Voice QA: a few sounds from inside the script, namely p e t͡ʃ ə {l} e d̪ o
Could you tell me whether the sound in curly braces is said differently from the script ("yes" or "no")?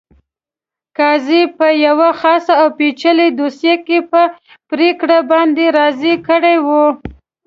no